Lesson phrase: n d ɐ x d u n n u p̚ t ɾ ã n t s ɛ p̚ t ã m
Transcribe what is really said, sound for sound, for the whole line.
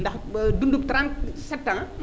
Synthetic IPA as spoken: n d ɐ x d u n d u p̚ t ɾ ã n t s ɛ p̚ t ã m